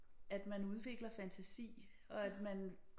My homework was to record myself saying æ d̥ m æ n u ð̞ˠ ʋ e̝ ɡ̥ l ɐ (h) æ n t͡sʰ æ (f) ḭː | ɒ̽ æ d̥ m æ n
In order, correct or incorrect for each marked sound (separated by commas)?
incorrect, incorrect